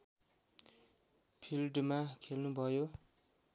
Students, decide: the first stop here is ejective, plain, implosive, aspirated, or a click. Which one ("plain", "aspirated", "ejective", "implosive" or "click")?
aspirated